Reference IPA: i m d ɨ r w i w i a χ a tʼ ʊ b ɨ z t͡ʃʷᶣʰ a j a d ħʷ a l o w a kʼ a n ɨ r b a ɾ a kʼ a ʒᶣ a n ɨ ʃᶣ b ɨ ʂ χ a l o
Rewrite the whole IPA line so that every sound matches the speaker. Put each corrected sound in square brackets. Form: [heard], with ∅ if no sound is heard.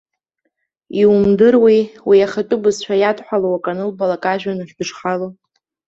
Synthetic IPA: i m d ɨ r w i w i a χ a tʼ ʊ b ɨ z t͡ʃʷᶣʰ a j a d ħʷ a l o w a kʼ a n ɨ [l] b a [l] a kʼ a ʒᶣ a n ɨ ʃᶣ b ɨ ʂ χ a l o